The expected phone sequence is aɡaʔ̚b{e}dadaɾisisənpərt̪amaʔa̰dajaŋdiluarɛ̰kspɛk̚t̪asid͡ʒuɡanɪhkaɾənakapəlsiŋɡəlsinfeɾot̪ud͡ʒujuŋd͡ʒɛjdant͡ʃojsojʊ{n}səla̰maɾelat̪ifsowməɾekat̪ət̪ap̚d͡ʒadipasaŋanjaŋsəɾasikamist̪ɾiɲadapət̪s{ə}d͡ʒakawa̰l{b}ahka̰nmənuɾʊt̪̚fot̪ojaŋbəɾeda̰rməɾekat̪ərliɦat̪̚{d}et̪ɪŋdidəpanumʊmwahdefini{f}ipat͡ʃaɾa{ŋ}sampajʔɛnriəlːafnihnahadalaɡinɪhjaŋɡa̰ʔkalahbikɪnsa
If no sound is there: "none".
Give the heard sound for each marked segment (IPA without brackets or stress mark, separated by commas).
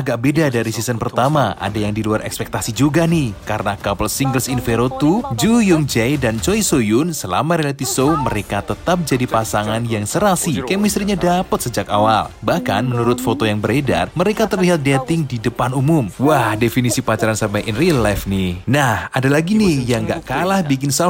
e, n, ə, b, d, s, n